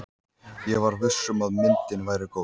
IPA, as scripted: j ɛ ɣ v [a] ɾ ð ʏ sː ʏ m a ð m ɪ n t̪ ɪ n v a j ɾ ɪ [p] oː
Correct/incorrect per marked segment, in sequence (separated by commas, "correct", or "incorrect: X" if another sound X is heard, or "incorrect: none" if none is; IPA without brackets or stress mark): correct, incorrect: k